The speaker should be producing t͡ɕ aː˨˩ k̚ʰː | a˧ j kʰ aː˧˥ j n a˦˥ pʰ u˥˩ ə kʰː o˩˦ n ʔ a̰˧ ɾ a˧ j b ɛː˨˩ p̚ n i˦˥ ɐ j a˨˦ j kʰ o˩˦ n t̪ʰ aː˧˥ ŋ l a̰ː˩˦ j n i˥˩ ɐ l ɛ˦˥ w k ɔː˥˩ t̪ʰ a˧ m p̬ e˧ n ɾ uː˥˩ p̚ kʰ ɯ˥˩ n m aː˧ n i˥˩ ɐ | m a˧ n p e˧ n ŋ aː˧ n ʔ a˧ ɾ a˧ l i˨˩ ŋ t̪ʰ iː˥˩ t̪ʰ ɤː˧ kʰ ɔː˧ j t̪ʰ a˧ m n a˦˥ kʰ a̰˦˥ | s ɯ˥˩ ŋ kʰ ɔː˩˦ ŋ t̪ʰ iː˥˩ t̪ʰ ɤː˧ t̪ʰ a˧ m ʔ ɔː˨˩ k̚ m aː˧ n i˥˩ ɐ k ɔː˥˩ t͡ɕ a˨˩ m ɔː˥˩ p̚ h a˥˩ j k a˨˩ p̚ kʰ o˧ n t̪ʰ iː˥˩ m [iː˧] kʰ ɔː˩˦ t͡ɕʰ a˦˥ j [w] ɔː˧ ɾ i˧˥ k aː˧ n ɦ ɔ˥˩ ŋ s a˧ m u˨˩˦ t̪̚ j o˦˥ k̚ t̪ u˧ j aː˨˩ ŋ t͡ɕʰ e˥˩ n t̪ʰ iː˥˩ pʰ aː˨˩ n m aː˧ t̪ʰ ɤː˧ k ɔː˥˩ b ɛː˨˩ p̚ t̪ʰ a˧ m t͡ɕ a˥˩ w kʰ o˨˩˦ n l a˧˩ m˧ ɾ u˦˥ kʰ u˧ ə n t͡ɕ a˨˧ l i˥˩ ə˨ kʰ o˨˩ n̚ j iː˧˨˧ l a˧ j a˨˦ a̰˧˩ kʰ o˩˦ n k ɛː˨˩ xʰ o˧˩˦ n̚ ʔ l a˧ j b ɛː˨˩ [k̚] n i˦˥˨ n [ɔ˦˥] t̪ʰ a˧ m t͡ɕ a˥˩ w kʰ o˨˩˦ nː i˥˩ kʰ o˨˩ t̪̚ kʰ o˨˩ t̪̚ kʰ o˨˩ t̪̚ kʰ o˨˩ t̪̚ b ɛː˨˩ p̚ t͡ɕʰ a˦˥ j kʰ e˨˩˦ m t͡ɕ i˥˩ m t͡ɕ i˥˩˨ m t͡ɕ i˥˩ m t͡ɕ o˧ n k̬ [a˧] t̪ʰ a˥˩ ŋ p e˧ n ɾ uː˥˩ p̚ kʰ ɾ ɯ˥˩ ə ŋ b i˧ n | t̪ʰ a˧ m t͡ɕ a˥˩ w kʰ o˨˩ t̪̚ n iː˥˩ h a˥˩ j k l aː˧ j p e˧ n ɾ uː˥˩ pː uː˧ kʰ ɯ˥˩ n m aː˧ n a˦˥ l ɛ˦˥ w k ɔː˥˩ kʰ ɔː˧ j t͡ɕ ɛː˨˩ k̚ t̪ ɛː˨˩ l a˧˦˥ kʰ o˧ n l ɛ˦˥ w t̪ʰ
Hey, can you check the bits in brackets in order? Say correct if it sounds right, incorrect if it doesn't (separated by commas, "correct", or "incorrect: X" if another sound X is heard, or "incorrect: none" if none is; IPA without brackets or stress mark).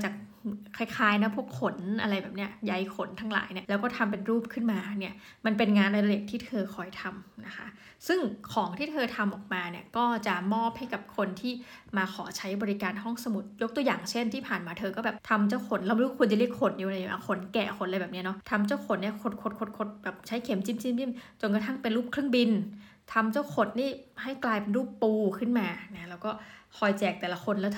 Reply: incorrect: aː˧, incorrect: b, incorrect: p̚, correct, correct